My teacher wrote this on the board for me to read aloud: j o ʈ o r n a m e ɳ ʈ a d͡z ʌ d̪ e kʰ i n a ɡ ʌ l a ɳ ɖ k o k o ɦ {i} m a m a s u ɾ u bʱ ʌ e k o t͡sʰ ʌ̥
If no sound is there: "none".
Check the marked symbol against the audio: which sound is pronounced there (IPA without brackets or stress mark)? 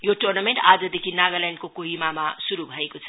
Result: i